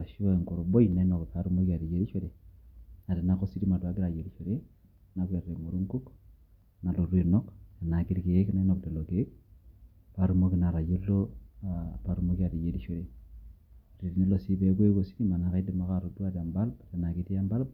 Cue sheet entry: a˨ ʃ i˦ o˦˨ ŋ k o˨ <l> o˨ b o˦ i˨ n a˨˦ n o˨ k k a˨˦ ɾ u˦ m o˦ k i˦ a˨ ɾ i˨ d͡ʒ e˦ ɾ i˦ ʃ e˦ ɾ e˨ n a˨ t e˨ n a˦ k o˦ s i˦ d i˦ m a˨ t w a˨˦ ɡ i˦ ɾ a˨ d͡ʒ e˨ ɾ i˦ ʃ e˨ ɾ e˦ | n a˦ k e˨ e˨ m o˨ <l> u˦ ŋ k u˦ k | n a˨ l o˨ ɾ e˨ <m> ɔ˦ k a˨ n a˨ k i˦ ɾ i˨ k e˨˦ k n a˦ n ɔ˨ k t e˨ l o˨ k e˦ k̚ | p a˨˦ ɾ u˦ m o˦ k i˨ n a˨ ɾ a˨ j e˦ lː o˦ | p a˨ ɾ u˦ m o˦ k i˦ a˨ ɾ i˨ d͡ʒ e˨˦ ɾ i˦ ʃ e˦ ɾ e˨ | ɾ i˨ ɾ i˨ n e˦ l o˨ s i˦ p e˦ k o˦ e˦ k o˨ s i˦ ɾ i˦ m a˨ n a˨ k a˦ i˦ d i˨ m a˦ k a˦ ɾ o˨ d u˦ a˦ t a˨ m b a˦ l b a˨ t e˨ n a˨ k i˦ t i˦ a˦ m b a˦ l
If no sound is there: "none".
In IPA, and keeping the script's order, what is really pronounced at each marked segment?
ɾ, ɾ, n

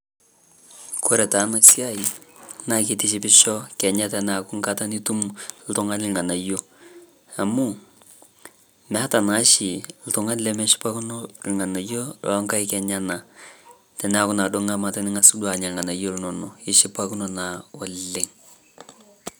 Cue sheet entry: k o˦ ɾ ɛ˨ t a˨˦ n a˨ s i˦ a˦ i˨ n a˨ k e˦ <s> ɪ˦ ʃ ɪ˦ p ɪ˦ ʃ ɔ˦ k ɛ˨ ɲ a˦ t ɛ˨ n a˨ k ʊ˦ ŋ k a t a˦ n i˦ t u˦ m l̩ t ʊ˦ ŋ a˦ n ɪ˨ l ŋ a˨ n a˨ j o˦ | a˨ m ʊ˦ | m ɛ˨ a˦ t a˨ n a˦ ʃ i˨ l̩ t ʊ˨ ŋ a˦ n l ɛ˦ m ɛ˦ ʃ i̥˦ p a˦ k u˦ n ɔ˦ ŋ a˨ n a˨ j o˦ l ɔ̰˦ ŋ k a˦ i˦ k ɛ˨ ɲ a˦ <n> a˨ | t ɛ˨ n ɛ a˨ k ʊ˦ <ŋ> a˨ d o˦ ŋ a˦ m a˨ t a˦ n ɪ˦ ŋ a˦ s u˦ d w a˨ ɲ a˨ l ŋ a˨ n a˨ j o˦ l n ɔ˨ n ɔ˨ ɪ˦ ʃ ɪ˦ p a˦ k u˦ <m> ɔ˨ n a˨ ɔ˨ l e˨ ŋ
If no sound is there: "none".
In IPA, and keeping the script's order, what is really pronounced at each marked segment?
t, n, n, n

